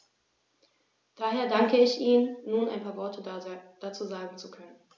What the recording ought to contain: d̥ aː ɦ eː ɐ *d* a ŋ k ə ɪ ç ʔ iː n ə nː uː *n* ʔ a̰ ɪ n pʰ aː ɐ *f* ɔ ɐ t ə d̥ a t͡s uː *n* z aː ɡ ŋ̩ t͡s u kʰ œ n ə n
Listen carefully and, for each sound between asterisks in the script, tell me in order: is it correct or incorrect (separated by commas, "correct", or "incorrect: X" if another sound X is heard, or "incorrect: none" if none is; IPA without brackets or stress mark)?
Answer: correct, correct, incorrect: v, incorrect: none